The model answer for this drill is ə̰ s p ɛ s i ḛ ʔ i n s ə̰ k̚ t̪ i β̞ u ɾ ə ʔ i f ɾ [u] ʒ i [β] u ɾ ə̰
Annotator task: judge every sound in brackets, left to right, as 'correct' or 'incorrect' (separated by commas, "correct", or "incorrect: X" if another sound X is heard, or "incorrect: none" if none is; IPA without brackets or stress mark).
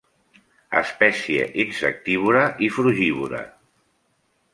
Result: correct, correct